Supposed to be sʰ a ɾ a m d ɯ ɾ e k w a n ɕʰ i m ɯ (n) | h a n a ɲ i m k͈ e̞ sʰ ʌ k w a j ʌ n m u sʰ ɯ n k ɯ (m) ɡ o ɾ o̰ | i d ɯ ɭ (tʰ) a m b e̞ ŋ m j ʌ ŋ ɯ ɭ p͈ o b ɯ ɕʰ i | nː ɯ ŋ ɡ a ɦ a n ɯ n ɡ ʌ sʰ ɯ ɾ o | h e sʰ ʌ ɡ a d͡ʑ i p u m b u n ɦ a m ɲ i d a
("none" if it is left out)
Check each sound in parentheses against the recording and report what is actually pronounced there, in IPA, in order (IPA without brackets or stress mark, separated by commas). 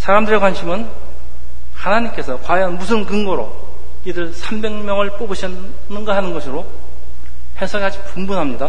n, ŋ, sʰ